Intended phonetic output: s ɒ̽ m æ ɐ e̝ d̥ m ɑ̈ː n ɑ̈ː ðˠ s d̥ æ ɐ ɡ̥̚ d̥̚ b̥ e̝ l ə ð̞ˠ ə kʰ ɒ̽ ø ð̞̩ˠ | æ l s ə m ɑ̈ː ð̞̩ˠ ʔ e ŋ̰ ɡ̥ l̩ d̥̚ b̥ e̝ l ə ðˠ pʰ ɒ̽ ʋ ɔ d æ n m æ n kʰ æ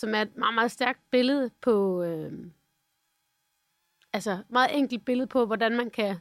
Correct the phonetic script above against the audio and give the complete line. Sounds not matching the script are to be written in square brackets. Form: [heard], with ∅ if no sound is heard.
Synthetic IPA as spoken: s ɒ̽ m æ ɐ e̝ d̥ m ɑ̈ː [m] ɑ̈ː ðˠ s d̥ æ ɐ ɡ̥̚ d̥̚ b̥ e̝ l ə ð̞ˠ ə [pʰ] ɒ̽ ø [∅] | æ l s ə m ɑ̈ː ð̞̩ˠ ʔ e ŋ̰ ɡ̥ l̩ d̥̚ b̥ e̝ l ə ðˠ pʰ ɒ̽ ʋ [ɒ] d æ n m æ n kʰ æ